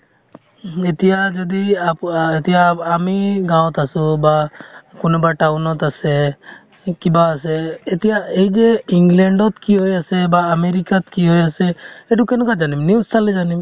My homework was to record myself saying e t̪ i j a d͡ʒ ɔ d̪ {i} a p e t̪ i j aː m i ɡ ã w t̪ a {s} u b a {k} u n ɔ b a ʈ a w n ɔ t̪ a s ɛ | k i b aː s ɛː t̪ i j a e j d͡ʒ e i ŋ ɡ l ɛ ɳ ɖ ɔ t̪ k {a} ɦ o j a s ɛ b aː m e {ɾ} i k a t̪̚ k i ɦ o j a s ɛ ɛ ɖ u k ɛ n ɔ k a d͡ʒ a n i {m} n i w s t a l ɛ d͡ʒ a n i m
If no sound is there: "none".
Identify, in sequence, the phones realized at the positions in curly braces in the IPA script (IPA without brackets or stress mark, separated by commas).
i, s, k, i, ɾ, m